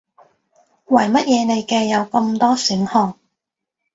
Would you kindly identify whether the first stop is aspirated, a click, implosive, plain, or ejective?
plain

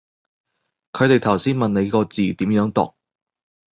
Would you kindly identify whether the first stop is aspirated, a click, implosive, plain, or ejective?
aspirated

